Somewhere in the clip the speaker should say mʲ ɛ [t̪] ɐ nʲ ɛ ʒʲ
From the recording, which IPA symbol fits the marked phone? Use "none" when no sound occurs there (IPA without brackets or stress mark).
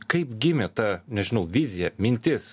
t̪